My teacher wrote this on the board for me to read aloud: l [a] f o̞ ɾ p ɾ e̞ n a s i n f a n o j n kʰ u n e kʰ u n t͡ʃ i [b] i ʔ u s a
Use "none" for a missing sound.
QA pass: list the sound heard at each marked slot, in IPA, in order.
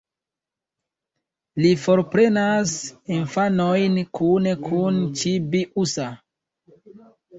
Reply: i, b

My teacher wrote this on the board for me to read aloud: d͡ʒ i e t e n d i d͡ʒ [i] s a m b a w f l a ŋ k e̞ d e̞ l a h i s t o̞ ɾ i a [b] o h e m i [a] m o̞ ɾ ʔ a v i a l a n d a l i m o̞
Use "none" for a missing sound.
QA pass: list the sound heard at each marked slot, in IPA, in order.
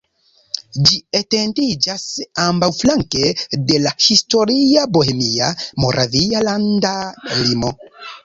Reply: a, b, a

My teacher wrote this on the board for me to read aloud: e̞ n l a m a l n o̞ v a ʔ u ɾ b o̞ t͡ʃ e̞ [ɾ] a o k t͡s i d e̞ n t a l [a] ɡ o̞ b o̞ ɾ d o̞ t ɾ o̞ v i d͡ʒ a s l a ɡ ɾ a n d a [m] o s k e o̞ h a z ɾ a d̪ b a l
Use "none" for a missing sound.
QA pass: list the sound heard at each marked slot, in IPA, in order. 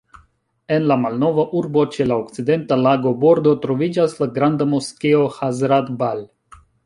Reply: l, a, m

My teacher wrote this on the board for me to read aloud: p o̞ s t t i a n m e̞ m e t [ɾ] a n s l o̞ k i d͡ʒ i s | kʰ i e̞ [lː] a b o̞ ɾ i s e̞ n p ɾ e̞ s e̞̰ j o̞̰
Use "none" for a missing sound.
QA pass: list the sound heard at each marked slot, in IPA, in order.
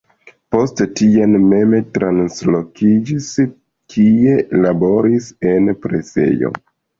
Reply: ɾ, l

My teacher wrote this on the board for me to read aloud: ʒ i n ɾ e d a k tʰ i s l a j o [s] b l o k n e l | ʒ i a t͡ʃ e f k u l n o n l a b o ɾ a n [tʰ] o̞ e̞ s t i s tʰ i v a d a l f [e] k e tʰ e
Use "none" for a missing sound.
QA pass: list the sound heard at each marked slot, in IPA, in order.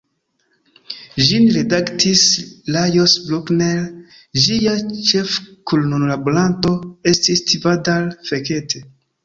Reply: s, t, e

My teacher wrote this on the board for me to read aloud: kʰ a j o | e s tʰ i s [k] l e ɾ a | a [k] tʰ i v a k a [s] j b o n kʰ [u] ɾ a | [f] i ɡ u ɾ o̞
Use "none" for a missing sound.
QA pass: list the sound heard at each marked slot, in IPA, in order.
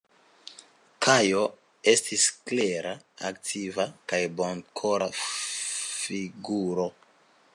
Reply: k, k, none, o, f

